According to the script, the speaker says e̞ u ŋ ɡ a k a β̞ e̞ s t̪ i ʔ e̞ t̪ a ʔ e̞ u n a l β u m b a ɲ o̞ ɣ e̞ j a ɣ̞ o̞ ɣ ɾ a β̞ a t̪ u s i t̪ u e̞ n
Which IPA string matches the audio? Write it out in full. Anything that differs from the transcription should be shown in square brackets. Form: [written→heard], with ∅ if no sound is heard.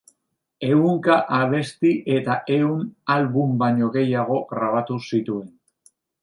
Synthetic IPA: e̞ u ŋ [ɡ→k] a [k→ʔ] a β̞ e̞ s t̪ i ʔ e̞ t̪ a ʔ e̞ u n a l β u m b a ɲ o̞ ɣ e̞ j a ɣ̞ o̞ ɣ ɾ a β̞ a t̪ u s i t̪ u e̞ n

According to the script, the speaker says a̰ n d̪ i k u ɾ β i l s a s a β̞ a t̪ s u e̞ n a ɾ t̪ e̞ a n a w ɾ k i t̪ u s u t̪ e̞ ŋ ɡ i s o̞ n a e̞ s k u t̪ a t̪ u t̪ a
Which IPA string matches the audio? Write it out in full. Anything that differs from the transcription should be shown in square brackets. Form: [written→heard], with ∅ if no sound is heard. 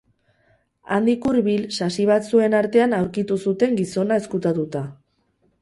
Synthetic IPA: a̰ n d̪ i k u ɾ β i l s a s [a→i] β̞ a t̪ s u e̞ n a ɾ t̪ e̞ a n a w ɾ k i t̪ u s u t̪ e̞ ŋ ɡ i s o̞ n a e̞ s k u t̪ a t̪ u t̪ a

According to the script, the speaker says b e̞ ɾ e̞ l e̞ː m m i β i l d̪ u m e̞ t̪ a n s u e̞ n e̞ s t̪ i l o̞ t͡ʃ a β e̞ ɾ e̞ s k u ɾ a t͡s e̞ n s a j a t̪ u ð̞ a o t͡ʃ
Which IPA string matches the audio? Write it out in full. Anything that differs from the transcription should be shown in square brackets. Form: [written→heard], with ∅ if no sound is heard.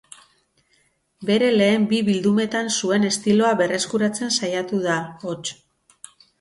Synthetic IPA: b e̞ ɾ e̞ l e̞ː m [m→b] i β i l d̪ u m e̞ t̪ a n s u e̞ n e̞ s t̪ i l o̞ [t͡ʃ→∅] a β e̞ [ɾ→r] e̞ s k u ɾ a t͡s e̞ n s a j a t̪ u ð̞ a o t͡ʃ

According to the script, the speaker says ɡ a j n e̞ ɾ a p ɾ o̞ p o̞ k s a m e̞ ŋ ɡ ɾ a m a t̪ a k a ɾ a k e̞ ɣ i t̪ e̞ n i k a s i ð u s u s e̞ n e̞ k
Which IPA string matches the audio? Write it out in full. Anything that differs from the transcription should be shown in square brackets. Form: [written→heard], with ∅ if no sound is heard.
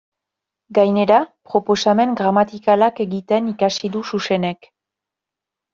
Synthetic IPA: ɡ a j n e̞ ɾ a p ɾ o̞ p o̞ [k→∅] s a m e̞ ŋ ɡ ɾ a m a t̪ [a→i] k a [ɾ→l] a k e̞ ɣ i t̪ e̞ n i k a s i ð u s u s e̞ n e̞ k

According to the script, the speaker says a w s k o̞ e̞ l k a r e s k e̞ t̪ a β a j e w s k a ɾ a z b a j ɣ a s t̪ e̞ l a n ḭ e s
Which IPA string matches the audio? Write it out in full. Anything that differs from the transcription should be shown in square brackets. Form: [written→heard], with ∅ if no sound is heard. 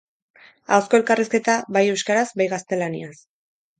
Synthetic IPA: a w s k o̞ e̞ l k a r [e→i] s k e̞ t̪ a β a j e w s k a ɾ a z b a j ɣ a s t̪ e̞ l a n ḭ [e→a] s

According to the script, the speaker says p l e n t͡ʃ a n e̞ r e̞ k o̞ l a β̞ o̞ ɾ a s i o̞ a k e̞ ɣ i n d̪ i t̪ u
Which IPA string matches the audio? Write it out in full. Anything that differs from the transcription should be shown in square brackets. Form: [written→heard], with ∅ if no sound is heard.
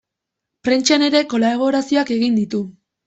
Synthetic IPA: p [l→ɾ] e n t͡ʃ a n e̞ [r→ɾ] e̞ k o̞ l a β̞ o̞ ɾ a s i o̞ a k e̞ ɣ i n d̪ i t̪ u

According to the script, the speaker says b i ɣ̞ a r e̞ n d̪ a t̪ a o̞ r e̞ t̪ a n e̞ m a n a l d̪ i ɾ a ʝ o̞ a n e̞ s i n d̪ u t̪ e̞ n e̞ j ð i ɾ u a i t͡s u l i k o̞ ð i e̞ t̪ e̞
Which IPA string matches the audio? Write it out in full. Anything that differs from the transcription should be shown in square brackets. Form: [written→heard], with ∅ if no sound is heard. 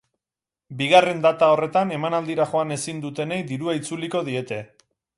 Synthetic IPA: b i ɣ̞ a r e̞ n d̪ a t̪ a o̞ r e̞ t̪ a n e̞ m a n a l d̪ i ɾ a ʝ o̞ a n e̞ s i n d̪ u t̪ e̞ n e̞ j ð i ɾ u a i t͡s u l i k o̞ ð i e̞ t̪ e̞

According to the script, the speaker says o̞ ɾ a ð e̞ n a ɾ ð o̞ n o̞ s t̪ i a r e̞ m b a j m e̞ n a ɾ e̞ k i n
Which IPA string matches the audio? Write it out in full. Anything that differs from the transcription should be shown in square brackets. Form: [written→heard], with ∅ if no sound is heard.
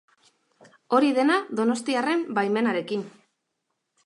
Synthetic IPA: o̞ ɾ [a→i] ð e̞ n a [ɾ→∅] ð o̞ n o̞ s t̪ i a r e̞ m b a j m e̞ n a ɾ e̞ k i n

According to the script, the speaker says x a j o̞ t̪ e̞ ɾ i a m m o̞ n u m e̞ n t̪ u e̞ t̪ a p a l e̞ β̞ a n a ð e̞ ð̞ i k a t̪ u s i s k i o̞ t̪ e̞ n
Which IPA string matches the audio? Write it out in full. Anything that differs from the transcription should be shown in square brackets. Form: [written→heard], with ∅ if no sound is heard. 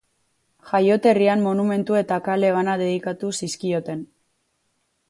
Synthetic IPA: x a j o̞ t̪ e̞ [ɾ→r] i a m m o̞ n u m e̞ n t̪ u e̞ t̪ a [p→k] a l e̞ β̞ a n a ð e̞ ð̞ i k a t̪ u s i s k i o̞ t̪ e̞ n

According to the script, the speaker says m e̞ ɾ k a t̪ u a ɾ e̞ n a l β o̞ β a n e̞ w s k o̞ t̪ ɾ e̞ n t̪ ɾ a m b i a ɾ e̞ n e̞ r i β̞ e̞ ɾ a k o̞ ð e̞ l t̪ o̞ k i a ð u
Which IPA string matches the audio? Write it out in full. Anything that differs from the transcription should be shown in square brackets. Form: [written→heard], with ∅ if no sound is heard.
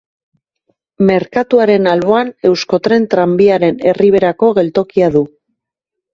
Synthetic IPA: m e̞ ɾ k a t̪ u a ɾ e̞ n a l β o̞ [β→∅] a n e̞ w s k o̞ t̪ ɾ e̞ n t̪ ɾ a m b i a ɾ e̞ n e̞ r i β̞ e̞ ɾ a k o̞ [ð→ɣ] e̞ l t̪ o̞ k i a ð u

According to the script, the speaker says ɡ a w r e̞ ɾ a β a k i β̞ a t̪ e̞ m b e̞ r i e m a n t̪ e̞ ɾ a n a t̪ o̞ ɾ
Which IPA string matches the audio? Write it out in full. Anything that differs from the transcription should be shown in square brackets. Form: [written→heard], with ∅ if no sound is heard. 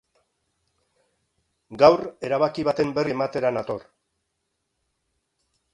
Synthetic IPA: ɡ a w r e̞ ɾ a β a k i β̞ a t̪ e̞ m b e̞ r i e m a [n→∅] t̪ e̞ ɾ a n a t̪ o̞ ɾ

